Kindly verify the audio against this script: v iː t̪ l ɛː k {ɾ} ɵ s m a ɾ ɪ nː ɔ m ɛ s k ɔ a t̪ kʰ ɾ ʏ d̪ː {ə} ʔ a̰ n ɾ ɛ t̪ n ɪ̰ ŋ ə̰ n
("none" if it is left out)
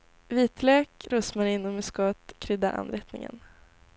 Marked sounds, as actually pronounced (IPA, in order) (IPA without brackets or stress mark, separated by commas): ɾ, a